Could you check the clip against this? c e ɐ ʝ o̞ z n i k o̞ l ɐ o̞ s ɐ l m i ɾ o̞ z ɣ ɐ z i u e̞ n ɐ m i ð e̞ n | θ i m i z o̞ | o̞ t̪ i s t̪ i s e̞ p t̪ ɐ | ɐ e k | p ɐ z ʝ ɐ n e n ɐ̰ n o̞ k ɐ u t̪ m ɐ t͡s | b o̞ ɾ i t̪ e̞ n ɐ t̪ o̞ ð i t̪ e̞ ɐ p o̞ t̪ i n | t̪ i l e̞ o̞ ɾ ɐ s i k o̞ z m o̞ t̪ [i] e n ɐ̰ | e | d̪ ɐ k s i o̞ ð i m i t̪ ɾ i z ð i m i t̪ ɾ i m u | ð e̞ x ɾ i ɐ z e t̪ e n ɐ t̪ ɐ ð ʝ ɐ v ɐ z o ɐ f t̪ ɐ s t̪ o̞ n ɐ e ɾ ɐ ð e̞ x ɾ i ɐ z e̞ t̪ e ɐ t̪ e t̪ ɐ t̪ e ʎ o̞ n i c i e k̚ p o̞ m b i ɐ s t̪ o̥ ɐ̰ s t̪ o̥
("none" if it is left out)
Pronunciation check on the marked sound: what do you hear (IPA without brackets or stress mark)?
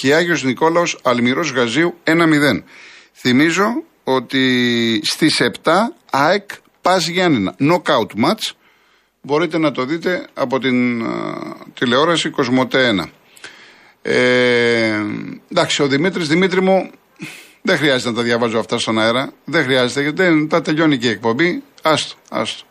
e